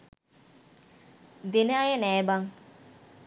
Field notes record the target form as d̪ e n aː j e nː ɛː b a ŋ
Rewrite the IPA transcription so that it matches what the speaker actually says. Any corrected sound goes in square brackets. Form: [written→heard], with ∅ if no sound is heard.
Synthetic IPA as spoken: d̪ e n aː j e [nː→n] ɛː b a ŋ